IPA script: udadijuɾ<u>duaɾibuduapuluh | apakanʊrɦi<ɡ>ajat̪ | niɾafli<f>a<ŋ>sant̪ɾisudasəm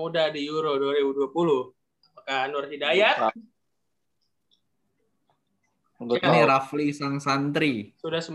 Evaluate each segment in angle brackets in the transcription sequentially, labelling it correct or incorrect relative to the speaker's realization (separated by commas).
incorrect, incorrect, incorrect, correct